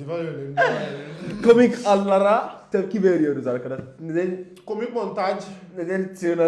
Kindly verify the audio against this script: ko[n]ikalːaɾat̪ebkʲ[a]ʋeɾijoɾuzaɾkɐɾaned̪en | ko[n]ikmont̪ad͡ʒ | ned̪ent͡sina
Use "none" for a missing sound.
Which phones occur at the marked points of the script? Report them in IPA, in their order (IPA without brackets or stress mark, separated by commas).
m, i, m